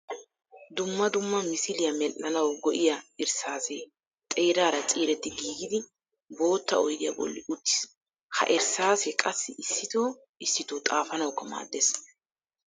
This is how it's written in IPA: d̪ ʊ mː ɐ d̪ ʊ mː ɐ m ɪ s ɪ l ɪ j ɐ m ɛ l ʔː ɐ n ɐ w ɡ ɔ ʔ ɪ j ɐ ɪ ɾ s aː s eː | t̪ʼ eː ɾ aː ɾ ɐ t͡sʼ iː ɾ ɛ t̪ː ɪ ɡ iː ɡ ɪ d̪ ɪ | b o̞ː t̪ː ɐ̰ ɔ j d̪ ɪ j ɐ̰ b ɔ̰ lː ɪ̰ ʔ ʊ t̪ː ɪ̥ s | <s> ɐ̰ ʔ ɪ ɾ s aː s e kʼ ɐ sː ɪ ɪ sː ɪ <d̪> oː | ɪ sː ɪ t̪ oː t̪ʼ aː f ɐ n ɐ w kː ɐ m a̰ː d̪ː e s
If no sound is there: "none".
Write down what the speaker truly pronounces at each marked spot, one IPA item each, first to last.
h, t̪

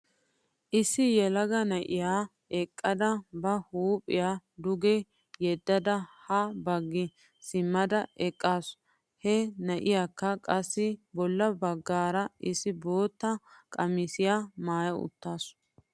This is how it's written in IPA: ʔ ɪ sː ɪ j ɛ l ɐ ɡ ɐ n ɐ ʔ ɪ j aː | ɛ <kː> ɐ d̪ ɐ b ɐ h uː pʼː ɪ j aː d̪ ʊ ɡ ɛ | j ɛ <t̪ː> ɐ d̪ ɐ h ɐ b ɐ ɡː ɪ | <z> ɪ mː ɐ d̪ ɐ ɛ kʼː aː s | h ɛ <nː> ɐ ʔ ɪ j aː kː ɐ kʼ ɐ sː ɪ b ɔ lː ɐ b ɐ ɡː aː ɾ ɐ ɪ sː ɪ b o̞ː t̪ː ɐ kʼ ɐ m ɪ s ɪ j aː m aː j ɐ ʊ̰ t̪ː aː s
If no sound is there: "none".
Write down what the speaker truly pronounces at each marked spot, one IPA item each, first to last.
kʼː, d̪ː, s, n

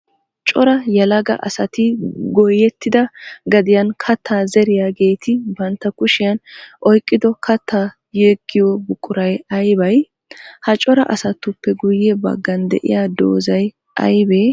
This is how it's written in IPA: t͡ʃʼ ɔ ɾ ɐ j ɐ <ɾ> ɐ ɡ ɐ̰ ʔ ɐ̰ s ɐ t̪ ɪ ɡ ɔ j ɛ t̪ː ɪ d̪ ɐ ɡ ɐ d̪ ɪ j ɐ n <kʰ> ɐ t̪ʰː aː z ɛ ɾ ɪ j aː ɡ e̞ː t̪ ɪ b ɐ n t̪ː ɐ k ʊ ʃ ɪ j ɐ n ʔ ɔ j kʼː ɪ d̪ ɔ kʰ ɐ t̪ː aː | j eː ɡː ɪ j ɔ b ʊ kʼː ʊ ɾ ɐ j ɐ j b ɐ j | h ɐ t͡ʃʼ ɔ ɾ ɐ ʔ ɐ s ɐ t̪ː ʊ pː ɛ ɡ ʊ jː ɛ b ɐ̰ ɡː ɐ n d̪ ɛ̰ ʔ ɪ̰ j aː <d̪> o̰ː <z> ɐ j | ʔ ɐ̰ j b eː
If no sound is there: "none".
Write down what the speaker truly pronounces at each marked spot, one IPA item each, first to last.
l, kʰ, d̪, z

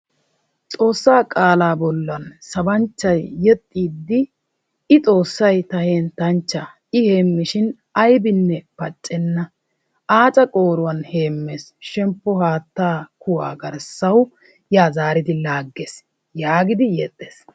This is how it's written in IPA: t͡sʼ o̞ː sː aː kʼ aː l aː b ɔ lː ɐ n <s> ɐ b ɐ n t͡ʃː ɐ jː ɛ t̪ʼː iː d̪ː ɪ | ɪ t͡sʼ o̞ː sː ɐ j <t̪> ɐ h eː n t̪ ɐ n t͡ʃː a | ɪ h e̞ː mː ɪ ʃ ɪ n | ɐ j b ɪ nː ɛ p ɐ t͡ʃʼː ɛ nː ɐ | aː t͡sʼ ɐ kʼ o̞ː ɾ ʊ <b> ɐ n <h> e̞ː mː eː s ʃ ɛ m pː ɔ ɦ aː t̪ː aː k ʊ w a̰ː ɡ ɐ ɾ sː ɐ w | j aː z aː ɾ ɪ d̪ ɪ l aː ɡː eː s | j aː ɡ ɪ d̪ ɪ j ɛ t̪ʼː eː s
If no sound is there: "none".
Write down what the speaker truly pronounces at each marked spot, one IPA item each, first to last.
s, t̪, w, h

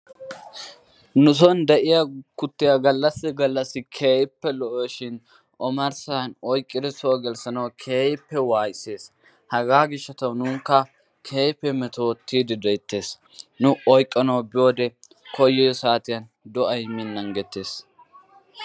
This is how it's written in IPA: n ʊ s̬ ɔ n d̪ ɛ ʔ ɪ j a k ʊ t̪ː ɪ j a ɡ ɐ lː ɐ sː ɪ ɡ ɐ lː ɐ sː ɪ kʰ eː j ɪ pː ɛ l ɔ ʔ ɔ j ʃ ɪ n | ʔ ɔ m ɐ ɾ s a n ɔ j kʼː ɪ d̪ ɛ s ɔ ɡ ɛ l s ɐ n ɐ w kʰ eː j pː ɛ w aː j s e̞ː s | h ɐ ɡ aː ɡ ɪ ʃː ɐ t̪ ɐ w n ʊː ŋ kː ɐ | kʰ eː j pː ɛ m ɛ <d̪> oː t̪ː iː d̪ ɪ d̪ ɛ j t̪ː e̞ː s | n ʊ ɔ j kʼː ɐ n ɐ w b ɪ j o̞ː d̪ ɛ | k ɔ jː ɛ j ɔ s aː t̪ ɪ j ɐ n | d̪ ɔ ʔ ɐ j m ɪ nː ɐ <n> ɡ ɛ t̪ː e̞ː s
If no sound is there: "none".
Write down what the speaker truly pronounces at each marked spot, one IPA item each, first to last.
t̪, ŋ

